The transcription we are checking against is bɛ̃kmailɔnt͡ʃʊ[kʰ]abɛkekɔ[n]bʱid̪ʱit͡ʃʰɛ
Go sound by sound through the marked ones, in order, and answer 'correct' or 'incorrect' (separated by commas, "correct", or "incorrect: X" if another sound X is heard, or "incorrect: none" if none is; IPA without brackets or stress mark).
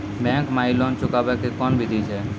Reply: incorrect: k, correct